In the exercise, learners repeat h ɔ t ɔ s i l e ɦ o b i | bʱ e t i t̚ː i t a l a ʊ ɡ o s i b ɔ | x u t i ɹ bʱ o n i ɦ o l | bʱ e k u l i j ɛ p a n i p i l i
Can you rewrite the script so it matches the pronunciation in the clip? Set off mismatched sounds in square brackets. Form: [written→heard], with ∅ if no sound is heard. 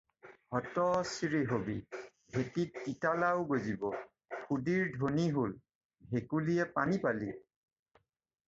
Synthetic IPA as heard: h ɔ t ɔ s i [l→ɹ] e ɦ o b i | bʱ e t i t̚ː i t a l a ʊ ɡ o [s→z] i b ɔ | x u [t→d] i ɹ [bʱ→dʱ] o n i ɦ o l | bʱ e k u l i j ɛ p a n i p [i→a] l i